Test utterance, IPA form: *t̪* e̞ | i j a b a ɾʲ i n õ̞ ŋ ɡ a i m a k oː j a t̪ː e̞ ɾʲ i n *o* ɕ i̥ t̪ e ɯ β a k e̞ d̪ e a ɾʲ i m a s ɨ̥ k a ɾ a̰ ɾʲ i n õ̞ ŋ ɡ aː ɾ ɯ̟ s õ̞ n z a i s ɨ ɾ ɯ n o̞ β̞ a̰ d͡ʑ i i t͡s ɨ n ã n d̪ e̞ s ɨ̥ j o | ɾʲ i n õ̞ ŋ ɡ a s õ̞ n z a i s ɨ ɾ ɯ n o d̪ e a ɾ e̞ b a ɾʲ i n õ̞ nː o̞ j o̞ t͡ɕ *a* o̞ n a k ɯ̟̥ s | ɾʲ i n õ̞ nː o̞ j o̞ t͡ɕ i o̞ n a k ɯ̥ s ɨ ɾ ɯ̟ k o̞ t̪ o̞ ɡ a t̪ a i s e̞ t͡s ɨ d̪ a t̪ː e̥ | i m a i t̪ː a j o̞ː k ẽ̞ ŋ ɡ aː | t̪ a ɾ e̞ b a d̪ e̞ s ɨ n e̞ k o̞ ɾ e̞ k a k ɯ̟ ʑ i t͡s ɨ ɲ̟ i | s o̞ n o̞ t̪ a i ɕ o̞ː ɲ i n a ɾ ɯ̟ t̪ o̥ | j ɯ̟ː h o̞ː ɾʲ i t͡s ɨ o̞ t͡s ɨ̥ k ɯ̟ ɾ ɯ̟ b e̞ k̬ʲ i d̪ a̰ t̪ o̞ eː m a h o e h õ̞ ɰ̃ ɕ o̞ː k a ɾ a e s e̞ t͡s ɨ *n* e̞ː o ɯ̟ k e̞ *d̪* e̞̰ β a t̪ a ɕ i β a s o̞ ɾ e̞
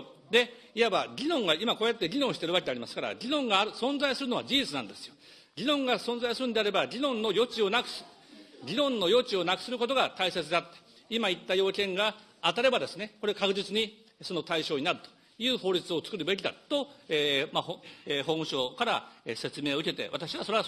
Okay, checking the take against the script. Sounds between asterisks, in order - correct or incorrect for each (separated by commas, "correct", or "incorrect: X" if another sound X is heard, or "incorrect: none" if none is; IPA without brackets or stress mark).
incorrect: d̪, incorrect: õ, incorrect: i, incorrect: m, incorrect: t̪